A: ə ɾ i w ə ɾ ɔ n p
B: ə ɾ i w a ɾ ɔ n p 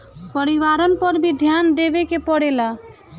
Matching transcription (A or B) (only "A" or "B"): B